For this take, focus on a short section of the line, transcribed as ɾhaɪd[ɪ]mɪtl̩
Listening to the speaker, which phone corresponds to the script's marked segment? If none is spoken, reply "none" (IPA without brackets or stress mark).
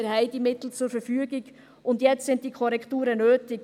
i